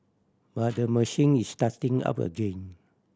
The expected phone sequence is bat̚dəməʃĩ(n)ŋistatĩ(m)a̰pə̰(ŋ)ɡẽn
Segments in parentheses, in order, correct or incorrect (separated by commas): incorrect, incorrect, incorrect